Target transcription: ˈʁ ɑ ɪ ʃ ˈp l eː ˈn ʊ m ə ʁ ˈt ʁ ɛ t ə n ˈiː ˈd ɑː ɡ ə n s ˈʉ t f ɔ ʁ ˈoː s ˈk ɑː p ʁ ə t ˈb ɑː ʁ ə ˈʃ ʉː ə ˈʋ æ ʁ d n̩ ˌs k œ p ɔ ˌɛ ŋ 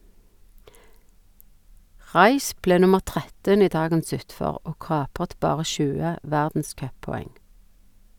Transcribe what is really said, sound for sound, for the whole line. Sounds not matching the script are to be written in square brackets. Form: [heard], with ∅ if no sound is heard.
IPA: ˈʁ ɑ ɪ ʃ ˈp l eː ˈn ʊ m ə ʁ ˈt ʁ ɛ t ə n ˈiː ˈd ɑː ɡ ə n s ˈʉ t f ɔ ʁ ˈoː [∅] ˈk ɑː p ʁ ə t ˈb ɑː ʁ ə ˈʃ ʉː ə ˈʋ æ ʁ d n̩ ˌs k œ p ɔ ˌɛ ŋ